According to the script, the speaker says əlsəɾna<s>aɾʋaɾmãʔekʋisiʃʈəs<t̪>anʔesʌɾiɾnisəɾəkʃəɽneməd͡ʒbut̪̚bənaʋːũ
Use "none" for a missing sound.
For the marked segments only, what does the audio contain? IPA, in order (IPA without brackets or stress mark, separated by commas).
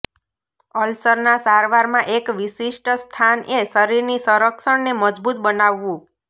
s, t̪ʰ